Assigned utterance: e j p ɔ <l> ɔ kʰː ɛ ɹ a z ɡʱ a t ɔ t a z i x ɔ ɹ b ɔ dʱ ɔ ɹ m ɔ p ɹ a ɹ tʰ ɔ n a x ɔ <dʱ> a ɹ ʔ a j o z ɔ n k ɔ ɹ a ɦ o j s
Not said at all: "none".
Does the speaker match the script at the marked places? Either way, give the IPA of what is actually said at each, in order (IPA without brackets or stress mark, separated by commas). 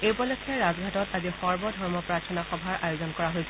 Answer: l, bʱ